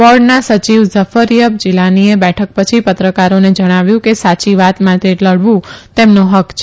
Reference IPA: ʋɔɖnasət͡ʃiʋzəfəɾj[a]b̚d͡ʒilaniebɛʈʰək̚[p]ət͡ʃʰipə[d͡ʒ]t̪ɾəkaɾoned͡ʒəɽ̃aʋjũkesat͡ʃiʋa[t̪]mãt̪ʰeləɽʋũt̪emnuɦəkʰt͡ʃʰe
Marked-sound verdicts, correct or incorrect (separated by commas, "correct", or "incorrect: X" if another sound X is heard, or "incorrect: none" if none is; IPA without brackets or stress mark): incorrect: ə, correct, incorrect: none, correct